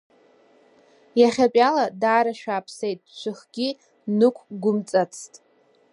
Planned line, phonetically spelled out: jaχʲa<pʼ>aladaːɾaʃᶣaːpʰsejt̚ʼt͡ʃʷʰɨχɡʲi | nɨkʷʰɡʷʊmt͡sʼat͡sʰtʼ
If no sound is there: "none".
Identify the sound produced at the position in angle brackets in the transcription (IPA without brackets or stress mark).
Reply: pʼ